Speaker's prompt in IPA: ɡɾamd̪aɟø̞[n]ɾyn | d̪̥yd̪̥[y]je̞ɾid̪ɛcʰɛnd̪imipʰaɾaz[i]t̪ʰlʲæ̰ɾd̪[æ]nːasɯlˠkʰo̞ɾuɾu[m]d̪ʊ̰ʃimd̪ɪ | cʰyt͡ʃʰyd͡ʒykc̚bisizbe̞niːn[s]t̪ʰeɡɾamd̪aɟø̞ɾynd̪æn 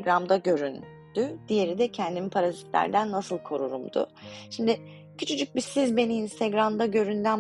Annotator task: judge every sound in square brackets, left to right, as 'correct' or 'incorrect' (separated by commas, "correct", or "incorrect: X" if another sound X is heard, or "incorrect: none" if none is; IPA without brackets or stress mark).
incorrect: none, incorrect: i, correct, correct, correct, correct